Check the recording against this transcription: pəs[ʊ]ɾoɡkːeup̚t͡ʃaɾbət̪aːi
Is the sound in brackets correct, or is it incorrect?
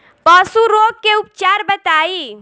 incorrect